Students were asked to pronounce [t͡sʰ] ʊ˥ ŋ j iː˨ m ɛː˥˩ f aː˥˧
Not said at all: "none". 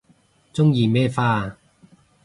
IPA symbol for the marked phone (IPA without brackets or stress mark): t͡s